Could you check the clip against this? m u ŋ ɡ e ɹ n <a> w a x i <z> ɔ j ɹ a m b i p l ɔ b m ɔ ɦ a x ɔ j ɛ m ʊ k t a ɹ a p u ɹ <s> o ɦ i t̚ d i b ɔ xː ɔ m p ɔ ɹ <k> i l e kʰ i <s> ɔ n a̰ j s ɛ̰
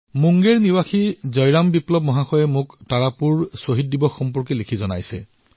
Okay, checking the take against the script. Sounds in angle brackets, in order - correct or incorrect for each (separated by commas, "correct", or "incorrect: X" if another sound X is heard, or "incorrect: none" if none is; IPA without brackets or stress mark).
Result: incorrect: i, correct, correct, correct, incorrect: z